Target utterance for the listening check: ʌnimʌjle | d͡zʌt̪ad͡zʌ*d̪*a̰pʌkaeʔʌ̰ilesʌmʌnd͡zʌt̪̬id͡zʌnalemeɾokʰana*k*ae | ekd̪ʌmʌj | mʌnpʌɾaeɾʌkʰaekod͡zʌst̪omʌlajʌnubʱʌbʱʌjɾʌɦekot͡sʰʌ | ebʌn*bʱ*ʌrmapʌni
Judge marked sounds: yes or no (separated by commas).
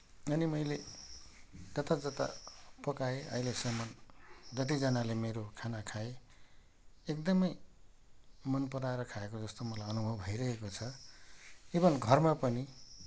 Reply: no, no, no